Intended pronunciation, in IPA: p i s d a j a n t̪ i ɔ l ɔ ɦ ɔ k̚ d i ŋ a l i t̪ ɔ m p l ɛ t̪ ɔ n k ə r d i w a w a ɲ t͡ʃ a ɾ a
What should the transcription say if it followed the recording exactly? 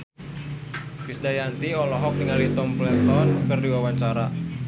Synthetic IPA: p i s d a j a n t̪ i ɔ l ɔ ɦ ɔ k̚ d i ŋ a l i t̪ ɔ m p l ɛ t̪ ɔ n k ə r d i w a w a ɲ t͡ʃ a ɾ a

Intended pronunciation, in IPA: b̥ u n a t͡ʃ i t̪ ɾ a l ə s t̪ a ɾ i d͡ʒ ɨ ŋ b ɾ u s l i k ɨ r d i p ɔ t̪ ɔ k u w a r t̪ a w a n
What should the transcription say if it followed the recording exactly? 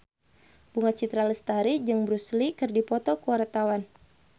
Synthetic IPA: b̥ u ŋ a t͡ʃ i t̪ ɾ a l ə s t̪ a ɾ i d͡ʒ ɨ ŋ b ɾ u s l i k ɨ r d i p ɔ t̪ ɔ k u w a r t̪ a w a n

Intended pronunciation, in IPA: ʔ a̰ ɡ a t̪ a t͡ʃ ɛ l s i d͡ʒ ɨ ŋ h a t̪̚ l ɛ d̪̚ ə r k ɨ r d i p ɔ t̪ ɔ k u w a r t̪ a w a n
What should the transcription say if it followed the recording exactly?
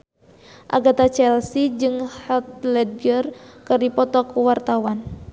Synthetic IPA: ʔ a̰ ɡ a t̪ a t͡ʃ ɛ l s i d͡ʒ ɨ ŋ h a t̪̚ l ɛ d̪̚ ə r k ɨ r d i p ɔ t̪ ɔ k u w a r t̪ a w a n

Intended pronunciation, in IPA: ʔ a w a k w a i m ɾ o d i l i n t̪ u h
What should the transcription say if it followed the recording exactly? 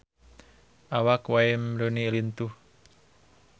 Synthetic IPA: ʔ a w a k w a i m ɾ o n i l i n t̪ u h

